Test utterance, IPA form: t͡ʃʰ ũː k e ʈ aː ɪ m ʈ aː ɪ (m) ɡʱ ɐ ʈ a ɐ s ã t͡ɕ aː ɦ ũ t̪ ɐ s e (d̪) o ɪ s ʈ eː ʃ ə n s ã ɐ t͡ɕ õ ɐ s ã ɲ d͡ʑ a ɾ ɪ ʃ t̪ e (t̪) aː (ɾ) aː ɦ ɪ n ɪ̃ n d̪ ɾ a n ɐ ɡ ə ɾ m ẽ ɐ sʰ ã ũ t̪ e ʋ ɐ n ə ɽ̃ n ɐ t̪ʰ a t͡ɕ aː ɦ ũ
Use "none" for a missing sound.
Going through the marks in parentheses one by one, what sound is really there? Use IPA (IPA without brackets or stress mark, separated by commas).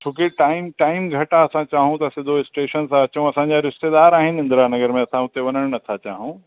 m, d̪, d̪, ɾ